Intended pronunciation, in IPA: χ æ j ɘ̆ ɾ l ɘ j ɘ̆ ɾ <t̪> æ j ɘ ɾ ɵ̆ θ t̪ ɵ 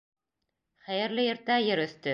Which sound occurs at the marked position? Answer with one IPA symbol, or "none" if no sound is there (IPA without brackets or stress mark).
t̪